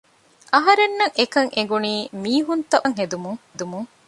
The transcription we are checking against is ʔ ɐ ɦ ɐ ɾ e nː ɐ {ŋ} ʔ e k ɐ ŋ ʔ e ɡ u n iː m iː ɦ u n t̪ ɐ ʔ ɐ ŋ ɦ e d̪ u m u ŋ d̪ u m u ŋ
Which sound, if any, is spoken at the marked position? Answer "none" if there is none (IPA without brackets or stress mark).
ŋ